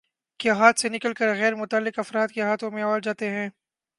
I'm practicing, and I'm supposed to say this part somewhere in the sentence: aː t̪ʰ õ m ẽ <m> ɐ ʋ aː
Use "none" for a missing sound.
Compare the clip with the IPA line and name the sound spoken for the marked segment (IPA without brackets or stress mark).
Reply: none